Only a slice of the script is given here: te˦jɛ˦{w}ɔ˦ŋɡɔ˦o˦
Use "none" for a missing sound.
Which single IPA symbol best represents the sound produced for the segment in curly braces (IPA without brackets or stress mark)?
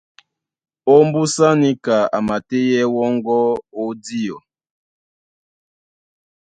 w